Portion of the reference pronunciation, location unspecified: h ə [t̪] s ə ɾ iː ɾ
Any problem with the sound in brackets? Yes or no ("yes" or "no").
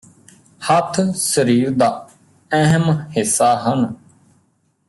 yes